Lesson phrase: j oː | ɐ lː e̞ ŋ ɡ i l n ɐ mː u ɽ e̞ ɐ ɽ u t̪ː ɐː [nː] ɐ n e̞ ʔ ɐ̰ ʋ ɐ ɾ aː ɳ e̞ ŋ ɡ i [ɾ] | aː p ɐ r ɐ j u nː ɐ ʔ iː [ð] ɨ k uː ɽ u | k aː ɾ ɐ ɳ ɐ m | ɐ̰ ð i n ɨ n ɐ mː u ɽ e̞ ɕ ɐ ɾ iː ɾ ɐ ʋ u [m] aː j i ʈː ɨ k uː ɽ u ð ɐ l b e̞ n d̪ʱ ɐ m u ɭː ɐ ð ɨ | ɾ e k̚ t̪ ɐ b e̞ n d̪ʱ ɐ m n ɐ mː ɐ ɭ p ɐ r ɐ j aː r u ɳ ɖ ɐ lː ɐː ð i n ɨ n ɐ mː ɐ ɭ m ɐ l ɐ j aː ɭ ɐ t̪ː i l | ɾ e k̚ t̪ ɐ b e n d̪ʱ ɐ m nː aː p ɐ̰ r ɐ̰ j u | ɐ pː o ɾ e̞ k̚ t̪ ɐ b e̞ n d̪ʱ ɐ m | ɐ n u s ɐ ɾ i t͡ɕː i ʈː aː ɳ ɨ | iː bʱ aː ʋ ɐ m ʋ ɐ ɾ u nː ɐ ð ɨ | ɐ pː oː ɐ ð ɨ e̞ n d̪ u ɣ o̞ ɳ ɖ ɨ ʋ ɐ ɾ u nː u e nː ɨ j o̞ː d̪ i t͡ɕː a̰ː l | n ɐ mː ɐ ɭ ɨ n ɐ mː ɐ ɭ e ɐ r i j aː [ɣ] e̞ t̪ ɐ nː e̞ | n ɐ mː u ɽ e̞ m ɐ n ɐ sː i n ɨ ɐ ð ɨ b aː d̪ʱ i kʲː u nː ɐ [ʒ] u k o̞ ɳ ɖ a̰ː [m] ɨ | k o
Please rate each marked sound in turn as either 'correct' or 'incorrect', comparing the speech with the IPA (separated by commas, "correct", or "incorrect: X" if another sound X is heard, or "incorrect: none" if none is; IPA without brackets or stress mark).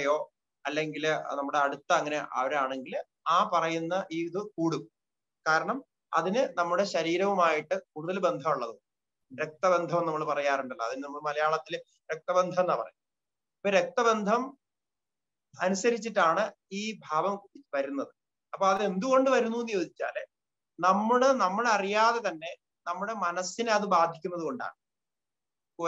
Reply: incorrect: ŋː, incorrect: l, correct, correct, incorrect: ð, incorrect: ð, incorrect: ɳ